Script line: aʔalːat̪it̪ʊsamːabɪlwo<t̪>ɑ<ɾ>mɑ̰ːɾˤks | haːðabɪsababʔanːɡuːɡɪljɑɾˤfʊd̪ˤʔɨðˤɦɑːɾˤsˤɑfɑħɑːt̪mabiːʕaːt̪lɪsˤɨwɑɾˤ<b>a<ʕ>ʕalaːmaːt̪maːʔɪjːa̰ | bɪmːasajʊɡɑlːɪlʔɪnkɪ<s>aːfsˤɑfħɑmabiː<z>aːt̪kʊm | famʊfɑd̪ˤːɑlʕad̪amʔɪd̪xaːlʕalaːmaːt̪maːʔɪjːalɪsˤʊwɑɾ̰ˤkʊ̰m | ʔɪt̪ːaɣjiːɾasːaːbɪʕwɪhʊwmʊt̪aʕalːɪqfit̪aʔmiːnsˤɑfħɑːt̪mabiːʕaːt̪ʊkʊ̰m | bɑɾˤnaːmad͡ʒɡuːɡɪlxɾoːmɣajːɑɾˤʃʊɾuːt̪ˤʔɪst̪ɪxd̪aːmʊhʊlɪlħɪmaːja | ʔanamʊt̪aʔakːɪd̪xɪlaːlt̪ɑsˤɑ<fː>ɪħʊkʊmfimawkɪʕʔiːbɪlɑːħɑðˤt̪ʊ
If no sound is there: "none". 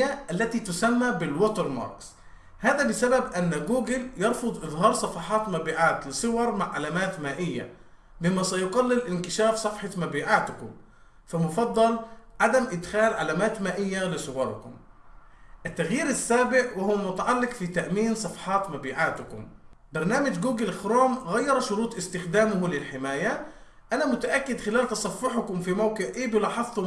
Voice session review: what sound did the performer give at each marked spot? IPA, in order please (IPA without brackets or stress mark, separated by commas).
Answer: t̪, ɾ, m, ʕ, ʃ, ʕ, fː